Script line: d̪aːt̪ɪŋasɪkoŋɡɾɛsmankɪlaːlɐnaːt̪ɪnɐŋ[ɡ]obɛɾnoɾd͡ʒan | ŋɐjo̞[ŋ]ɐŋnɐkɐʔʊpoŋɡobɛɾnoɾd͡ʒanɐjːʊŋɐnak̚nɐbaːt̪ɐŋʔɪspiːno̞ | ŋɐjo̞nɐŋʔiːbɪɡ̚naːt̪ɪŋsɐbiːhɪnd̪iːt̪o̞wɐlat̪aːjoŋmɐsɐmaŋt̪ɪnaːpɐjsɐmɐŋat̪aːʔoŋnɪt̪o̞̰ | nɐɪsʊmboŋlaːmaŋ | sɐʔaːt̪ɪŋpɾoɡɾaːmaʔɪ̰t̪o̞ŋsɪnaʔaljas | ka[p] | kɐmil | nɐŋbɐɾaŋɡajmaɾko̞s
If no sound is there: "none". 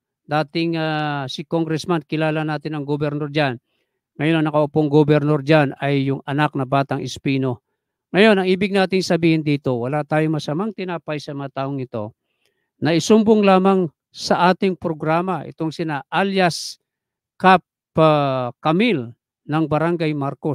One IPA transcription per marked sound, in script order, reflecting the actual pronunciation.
ɡ, n, p

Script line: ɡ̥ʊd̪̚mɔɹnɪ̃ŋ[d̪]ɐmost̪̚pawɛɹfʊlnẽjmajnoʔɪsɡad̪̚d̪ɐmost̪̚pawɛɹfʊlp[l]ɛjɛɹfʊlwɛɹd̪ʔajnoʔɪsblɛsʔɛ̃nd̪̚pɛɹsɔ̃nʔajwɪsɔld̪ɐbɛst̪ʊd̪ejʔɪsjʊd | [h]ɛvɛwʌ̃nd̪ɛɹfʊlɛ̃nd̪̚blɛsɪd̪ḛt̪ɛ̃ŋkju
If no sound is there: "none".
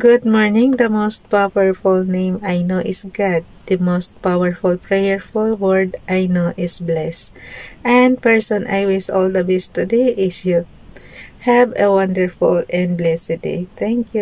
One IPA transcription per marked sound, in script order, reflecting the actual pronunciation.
d̪, ɹ, h

